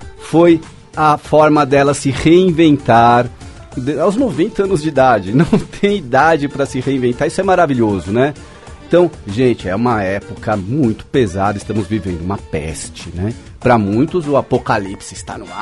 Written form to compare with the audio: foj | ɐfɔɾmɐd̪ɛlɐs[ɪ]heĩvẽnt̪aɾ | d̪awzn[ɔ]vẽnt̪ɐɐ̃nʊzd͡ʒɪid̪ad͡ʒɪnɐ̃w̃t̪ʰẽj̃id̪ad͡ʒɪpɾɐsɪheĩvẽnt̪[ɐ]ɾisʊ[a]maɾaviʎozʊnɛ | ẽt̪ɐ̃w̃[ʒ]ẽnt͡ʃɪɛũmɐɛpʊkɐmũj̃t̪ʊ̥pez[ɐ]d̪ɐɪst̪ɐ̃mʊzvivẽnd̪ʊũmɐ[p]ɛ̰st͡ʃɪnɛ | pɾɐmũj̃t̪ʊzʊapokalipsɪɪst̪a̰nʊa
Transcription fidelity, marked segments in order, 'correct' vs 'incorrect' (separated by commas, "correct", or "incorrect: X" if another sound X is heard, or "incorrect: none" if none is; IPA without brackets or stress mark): correct, incorrect: o, incorrect: a, incorrect: ɛ, correct, incorrect: a, correct